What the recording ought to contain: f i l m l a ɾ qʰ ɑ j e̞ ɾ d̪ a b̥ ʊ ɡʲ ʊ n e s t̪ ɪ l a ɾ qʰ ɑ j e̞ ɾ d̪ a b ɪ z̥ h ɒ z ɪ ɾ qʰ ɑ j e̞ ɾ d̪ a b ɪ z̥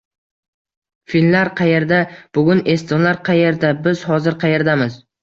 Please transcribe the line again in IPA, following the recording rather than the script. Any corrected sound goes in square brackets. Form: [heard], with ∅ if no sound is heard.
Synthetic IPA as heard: f i l m l a ɾ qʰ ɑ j e̞ ɾ d̪ a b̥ ʊ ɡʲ ʊ n e s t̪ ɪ l a ɾ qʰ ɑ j e̞ ɾ d̪ a b ɪ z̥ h ɒ z ɪ ɾ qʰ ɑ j e̞ ɾ d̪ a [m] ɪ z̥